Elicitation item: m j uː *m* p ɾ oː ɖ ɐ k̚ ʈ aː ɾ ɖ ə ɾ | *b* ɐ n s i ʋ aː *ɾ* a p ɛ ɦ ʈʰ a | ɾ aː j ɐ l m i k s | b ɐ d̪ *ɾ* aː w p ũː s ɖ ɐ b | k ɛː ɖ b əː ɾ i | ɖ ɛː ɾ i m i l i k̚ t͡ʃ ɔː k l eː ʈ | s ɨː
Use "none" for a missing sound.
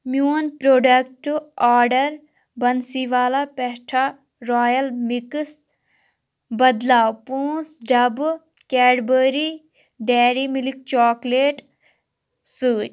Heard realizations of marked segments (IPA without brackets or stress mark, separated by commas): n, b, l, l